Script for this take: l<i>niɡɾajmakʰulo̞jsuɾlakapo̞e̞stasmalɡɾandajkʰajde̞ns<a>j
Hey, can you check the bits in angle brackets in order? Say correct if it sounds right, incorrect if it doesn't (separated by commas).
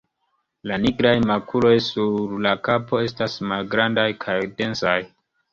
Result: incorrect, correct